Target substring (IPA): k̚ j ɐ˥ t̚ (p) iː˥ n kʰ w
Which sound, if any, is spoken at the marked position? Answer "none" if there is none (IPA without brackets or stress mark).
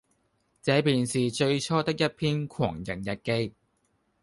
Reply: pʰ